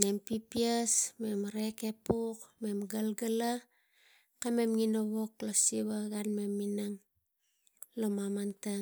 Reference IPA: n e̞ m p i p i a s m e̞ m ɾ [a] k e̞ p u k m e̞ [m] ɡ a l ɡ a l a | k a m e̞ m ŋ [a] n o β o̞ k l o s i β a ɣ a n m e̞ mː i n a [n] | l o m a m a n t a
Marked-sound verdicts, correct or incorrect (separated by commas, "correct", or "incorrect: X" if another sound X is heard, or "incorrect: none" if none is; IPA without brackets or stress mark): incorrect: e, correct, incorrect: i, incorrect: ŋ